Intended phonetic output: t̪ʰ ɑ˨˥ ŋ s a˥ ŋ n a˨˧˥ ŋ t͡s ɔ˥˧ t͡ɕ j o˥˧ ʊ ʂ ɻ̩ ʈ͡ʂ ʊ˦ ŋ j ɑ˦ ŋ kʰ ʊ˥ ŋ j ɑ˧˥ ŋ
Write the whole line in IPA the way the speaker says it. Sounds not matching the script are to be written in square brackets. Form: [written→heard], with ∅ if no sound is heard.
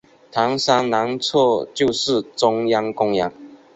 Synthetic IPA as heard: t̪ʰ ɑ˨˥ ŋ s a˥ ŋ n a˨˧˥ ŋ [t͡s→t͡sʰ] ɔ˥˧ t͡ɕ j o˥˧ ʊ ʂ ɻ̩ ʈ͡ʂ ʊ˦ ŋ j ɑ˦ ŋ [kʰ→k] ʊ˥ ŋ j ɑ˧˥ ŋ

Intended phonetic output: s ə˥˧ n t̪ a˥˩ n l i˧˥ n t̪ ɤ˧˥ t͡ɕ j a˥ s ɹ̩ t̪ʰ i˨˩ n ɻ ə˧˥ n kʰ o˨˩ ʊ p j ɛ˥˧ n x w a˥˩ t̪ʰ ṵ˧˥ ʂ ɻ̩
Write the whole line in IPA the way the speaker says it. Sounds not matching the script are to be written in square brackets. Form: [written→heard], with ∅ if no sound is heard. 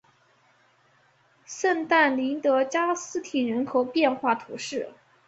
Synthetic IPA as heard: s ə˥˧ n t̪ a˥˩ n l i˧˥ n t̪ ɤ˧˥ t͡ɕ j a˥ s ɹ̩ t̪ʰ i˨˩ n ɻ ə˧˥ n kʰ o˨˩ ʊ p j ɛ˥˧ n x w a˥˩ t̪ʰ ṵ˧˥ ʂ ɻ̩

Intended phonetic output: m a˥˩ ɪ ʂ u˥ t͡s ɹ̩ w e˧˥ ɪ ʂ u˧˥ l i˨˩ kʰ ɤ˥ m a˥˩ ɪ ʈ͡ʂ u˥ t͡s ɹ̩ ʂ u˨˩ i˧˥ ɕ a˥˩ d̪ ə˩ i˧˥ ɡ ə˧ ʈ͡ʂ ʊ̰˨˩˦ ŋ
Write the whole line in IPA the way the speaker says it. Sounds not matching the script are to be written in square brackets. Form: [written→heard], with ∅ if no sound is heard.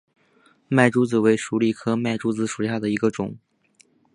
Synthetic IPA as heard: m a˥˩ ɪ [ʂ→ʈ͡ʂ] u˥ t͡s ɹ̩ w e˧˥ ɪ ʂ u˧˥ l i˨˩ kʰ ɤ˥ m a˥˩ ɪ ʈ͡ʂ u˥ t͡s ɹ̩ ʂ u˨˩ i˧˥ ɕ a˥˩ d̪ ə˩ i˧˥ ɡ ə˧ ʈ͡ʂ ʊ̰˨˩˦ ŋ

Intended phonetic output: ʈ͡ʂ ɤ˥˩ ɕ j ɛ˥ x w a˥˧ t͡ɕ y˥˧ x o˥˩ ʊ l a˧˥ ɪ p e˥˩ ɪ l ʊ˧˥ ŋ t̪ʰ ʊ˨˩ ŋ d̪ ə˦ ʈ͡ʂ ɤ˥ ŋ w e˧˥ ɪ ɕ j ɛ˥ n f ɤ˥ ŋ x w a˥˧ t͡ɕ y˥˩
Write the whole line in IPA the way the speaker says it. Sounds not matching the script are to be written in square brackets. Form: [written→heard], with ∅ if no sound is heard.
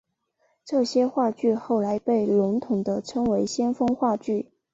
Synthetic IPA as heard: ʈ͡ʂ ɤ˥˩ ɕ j ɛ˥ x w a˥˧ t͡ɕ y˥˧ x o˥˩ ʊ l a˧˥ ɪ p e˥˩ ɪ l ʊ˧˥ ŋ t̪ʰ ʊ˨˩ ŋ d̪ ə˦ [ʈ͡ʂ→ʈ͡ʂʰ] ɤ˥ ŋ w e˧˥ ɪ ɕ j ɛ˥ n f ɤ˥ ŋ x w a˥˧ t͡ɕ y˥˩

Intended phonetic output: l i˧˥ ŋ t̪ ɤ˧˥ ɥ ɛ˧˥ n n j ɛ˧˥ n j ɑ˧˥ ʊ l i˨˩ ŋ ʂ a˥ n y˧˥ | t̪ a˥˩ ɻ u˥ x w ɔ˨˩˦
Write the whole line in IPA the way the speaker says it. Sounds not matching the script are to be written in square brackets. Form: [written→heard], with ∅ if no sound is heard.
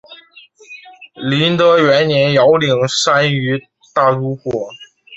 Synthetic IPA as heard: l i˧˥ [ŋ→n] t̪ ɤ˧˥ ɥ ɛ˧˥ n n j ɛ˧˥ n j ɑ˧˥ ʊ l i˨˩ ŋ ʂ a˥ n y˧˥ | t̪ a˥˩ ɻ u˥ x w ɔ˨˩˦

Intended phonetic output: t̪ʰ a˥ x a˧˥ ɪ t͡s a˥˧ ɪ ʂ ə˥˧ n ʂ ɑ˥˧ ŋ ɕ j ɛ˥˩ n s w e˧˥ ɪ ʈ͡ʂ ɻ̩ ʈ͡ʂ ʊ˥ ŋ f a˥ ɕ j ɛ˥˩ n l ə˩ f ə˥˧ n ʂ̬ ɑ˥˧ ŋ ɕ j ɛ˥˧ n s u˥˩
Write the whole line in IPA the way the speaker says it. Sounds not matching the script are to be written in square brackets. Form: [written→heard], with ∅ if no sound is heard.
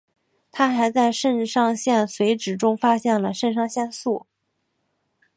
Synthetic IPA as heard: t̪ʰ a˥ x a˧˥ ɪ t͡s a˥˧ ɪ ʂ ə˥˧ n ʂ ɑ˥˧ ŋ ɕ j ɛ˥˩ n s w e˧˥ ɪ ʈ͡ʂ ɻ̩ ʈ͡ʂ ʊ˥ ŋ f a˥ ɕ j ɛ˥˩ n l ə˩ [f→ʂ] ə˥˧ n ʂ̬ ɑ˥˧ ŋ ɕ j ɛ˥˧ n s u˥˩

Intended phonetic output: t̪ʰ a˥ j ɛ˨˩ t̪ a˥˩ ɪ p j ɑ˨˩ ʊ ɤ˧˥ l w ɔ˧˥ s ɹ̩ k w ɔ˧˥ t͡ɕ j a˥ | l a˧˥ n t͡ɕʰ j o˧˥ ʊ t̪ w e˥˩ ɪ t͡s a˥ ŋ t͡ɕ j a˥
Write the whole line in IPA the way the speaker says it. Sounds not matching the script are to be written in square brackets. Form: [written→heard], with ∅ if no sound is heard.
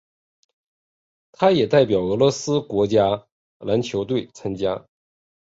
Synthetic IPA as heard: t̪ʰ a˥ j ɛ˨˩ t̪ a˥˩ ɪ p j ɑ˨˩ ʊ ɤ˧˥ l w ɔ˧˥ s ɹ̩ k w ɔ˧˥ t͡ɕ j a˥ | l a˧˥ n t͡ɕʰ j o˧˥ ʊ t̪ w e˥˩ ɪ [t͡s→t͡sʰ] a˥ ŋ t͡ɕ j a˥

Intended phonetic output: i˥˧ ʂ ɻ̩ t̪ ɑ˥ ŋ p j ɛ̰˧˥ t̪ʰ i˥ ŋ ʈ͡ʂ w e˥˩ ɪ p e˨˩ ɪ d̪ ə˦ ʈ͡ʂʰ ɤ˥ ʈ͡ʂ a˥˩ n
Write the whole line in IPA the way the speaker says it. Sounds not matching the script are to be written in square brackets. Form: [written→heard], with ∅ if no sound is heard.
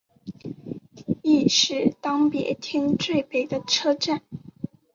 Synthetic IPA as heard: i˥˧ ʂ ɻ̩ t̪ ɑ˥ ŋ p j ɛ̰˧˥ t̪ʰ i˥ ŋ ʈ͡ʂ w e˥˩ ɪ p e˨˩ ɪ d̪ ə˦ ʈ͡ʂʰ ɤ˥ ʈ͡ʂ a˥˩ n

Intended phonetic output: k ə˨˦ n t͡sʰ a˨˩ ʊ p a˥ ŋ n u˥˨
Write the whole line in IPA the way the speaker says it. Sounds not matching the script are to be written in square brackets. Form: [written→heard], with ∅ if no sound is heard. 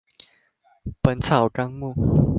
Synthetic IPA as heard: [k→p] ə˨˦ n t͡sʰ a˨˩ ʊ [p→k] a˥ ŋ [n→m] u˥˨

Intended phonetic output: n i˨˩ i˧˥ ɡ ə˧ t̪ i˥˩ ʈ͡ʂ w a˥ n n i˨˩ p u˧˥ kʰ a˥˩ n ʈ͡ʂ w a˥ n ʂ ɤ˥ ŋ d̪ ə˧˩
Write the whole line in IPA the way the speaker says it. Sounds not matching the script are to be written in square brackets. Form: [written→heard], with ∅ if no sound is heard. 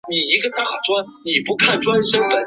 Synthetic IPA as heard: n i˨˩ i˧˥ ɡ ə˧ t̪ [i˥˩→a˥˩] ʈ͡ʂ w a˥ n n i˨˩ p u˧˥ kʰ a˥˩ n ʈ͡ʂ w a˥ n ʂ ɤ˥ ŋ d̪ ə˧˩

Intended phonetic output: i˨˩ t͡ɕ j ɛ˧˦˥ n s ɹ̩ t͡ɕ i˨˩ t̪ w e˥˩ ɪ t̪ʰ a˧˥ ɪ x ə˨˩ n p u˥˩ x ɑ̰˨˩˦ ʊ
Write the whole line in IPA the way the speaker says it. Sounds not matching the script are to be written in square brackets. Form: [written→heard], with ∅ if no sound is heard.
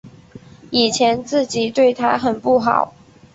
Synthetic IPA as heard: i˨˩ [t͡ɕ→t͡ɕʰ] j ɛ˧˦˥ n [s→t͡s] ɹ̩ t͡ɕ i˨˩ t̪ w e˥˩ ɪ t̪ʰ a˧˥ ɪ x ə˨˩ n p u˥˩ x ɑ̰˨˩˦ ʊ

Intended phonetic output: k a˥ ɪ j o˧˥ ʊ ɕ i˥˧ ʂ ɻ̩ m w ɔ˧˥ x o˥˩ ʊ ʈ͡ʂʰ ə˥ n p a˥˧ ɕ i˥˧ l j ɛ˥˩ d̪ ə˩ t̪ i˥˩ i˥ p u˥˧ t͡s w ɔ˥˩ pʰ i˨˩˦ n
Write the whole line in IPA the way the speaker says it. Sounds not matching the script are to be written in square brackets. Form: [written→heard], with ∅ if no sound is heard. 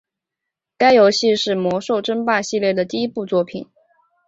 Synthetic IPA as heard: k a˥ ɪ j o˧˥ ʊ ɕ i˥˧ ʂ ɻ̩ m w ɔ˧˥ [x→ʂ] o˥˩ ʊ [ʈ͡ʂʰ→ʈ͡ʂ] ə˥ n p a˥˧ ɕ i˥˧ l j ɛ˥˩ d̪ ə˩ t̪ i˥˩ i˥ p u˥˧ t͡s w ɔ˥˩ pʰ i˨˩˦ n

